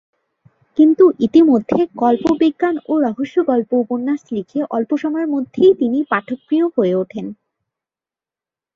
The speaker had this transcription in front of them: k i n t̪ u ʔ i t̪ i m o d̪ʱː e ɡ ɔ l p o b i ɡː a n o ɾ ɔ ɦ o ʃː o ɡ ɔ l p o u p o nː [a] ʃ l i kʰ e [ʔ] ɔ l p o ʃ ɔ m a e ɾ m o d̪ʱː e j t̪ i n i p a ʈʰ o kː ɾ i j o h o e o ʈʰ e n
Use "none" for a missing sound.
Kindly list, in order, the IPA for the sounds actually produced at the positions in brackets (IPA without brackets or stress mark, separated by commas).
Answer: a, ʔ